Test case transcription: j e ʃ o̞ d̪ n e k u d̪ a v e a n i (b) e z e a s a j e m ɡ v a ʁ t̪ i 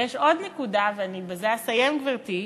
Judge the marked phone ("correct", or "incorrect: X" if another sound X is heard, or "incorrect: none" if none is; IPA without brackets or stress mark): correct